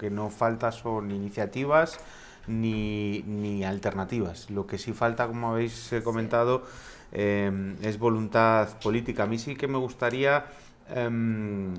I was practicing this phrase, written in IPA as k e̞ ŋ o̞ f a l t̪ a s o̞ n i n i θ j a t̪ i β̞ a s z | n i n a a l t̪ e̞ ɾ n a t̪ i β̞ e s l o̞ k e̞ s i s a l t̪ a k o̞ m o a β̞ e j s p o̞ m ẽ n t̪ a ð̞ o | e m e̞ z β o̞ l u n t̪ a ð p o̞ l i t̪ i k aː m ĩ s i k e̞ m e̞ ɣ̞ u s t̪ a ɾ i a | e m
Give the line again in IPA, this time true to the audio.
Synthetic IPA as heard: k e̞ n o̞ f a l t̪ a s o̞ n i n i θ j a t̪ i β̞ a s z | n i n i a l t̪ e̞ ɾ n a t̪ i β̞ a s l o̞ k e̞ s i f a l t̪ a k o̞ m o a β̞ e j s k o̞ m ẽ n t̪ a ð̞ o | e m e̞ z β o̞ l u n t̪ a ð p o̞ l i t̪ i k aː m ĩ s i k e̞ m e̞ ɣ̞ u s t̪ a ɾ i a | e m

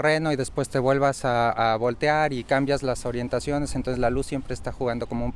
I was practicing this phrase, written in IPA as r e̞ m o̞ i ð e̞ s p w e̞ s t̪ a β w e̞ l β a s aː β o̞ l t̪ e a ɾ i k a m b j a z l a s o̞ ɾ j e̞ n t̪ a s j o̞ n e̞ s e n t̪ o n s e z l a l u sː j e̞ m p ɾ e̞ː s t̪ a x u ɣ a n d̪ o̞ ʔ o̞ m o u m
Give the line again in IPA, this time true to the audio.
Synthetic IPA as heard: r e̞ n o̞ i ð e̞ s p w e̞ s t̪ e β w e̞ l β a s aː β o̞ l t̪ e a ɾ i k a m b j a z l a s o̞ ɾ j e̞ n t̪ a s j o̞ n e̞ s e n t̪ o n s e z l a l u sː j e̞ m p ɾ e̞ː s t̪ a x u ɣ a n d̪ o̞ k o̞ m o u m

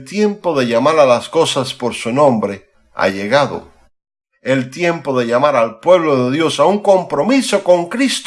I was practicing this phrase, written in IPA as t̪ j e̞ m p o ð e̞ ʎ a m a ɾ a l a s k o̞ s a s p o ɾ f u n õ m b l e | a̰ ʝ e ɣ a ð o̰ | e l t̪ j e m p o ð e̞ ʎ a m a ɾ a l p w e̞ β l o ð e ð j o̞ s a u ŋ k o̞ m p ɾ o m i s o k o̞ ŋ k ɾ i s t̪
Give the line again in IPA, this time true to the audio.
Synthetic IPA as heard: t̪ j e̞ m p o ð e̞ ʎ a m a ɾ a l a s k o̞ s a s p o ɾ s u n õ m b ɾ e | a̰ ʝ e ɣ a ð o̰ | e l t̪ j e m p o ð e̞ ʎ a m a ɾ a l p w e̞ β l o ð e ð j o̞ s a u ŋ k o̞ m p ɾ o m i s o k o̞ ŋ k ɾ i s t̪

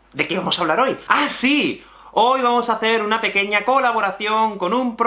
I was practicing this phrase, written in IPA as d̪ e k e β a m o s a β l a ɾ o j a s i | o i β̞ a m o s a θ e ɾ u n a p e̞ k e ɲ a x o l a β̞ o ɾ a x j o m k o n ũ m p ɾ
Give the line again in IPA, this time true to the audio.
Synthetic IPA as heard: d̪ e k e β a m o s a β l a ɾ o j a s i | o j β̞ a m o s a θ e ɾ u n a p e̞ k e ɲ a k o l a β̞ o ɾ a θ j o ŋ k o n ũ m p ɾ

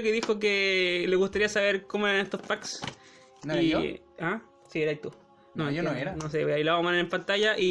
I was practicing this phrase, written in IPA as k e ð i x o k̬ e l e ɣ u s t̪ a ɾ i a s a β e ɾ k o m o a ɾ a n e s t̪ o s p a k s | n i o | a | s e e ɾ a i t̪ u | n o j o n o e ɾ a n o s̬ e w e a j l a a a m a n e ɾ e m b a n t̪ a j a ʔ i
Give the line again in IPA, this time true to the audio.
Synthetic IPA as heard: k e ð i x o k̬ e l e ɣ u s t̪ a ɾ i a s a β e ɾ k o m o e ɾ a n e s t̪ o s p a k s | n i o | a | s i e ɾ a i t̪ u | n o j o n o e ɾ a n o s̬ e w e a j l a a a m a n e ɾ e m p a n t̪ a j a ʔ i

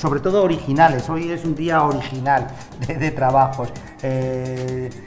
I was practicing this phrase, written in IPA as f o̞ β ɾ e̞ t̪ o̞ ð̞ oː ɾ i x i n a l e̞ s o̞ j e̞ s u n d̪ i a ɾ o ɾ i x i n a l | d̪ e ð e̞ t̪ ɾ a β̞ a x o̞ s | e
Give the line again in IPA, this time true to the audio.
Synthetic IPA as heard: s o̞ β ɾ e̞ t̪ o̞ ð̞ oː ɾ i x i n a l e̞ s o̞ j e̞ s u n d̪ i a o ɾ i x i n a l | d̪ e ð e̞ t̪ ɾ a β̞ a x o̞ s | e

